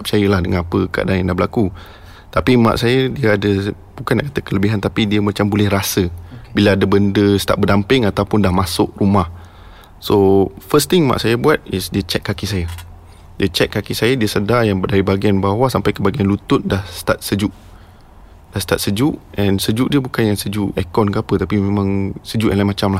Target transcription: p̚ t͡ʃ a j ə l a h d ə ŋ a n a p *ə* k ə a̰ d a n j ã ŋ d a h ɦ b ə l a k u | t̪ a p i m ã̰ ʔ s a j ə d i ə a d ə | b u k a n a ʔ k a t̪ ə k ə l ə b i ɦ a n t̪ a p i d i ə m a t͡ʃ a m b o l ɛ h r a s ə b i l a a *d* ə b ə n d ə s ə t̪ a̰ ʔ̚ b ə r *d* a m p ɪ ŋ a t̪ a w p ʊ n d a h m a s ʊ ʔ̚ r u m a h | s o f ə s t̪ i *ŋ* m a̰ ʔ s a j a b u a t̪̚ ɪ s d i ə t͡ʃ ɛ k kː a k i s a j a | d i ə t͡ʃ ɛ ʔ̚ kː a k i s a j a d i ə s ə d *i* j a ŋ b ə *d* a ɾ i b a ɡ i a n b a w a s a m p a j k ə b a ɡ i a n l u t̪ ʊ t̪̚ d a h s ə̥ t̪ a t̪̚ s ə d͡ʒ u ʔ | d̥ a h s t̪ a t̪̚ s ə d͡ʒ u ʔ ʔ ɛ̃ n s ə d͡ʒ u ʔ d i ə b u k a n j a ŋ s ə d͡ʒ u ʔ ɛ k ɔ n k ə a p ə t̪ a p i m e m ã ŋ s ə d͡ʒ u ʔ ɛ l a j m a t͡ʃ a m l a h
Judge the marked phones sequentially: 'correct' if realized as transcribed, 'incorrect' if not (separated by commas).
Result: correct, correct, correct, correct, incorrect, correct